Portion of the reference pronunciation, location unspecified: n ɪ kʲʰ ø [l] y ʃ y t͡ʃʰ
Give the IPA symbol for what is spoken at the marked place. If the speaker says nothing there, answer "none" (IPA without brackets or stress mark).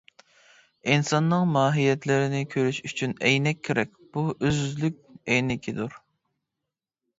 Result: ɾ